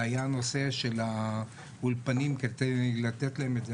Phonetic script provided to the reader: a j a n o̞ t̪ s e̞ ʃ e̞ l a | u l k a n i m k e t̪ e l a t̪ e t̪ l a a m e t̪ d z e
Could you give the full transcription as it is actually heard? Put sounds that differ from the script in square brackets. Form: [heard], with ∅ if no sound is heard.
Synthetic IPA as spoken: a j a n o̞ [∅] s e̞ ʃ e̞ l a | u l [p] a n i m k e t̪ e l a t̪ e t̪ l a [e] m e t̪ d z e